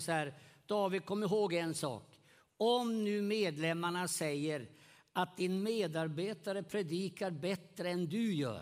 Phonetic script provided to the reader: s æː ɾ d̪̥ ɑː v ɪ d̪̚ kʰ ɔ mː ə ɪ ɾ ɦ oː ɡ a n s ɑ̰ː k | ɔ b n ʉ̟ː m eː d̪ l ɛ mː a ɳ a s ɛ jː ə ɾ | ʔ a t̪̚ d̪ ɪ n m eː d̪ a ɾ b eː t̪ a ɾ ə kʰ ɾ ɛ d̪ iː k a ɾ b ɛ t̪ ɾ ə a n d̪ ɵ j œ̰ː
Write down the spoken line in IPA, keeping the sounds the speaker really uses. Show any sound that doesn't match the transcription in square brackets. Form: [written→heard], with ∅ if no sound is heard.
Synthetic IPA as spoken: s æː ɾ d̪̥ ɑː v ɪ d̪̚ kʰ ɔ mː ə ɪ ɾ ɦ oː ɡ [a→ɛ] n s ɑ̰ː k | ɔ [b→m] n ʉ̟ː m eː d̪ l ɛ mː a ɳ a s ɛ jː ə ɾ | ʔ a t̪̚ d̪ ɪ n m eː d̪ a ɾ b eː t̪ a ɾ ə [kʰ→pʰ] ɾ ɛ d̪ iː k a ɾ b ɛ t̪ ɾ ə [a→ɛ] n d̪ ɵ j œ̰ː